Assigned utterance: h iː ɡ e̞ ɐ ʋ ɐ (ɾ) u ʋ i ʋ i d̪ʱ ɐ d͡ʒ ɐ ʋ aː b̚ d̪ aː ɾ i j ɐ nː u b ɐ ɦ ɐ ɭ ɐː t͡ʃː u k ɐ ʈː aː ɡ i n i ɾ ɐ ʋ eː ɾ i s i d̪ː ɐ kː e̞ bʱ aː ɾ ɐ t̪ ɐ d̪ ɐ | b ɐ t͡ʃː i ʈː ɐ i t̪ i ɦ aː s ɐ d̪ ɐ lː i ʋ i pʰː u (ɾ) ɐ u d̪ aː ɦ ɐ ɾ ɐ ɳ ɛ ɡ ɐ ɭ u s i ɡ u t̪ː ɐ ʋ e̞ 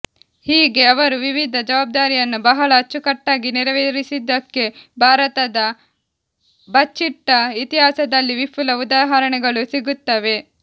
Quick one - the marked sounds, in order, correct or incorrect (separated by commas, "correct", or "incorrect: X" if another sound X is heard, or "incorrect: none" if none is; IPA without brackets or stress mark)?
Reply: correct, incorrect: l